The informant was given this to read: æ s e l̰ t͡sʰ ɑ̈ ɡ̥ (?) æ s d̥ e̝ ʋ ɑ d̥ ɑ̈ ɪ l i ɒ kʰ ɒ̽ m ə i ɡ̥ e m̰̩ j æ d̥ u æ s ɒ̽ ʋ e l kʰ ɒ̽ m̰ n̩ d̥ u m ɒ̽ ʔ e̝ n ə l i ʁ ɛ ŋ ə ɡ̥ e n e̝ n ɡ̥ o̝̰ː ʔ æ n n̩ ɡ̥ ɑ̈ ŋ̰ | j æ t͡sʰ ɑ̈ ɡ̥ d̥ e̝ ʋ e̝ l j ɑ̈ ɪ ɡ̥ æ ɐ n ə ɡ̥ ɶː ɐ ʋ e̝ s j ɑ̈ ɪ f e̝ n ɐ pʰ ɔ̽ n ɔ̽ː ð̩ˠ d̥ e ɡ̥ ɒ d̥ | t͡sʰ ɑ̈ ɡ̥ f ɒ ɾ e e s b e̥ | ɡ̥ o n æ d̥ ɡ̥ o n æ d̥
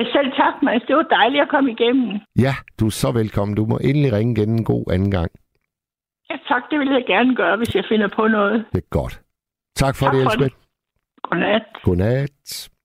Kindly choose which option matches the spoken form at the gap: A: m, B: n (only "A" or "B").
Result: A